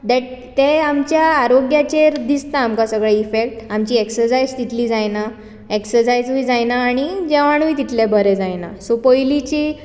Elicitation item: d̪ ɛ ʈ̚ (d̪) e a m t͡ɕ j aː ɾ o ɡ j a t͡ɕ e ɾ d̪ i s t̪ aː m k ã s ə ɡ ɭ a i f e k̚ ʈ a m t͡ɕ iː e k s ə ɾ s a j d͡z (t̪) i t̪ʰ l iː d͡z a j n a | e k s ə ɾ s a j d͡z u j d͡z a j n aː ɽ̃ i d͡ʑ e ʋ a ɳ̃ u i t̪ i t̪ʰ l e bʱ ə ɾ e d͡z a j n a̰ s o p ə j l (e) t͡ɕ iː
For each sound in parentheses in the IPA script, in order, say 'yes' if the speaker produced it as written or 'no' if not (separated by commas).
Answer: no, yes, no